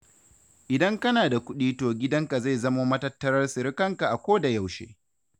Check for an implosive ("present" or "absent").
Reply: present